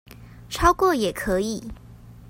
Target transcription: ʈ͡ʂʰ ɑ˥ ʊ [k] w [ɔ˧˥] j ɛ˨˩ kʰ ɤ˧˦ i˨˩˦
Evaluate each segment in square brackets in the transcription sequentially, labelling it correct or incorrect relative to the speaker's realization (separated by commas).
correct, incorrect